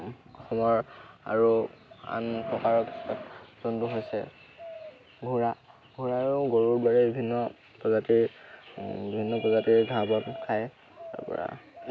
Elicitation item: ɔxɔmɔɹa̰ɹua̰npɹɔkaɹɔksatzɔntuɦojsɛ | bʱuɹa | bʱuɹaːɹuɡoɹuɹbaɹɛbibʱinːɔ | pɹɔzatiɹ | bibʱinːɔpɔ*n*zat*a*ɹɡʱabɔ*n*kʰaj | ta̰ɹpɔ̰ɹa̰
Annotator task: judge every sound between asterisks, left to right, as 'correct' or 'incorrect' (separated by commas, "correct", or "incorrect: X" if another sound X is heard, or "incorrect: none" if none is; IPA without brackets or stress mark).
incorrect: none, incorrect: i, correct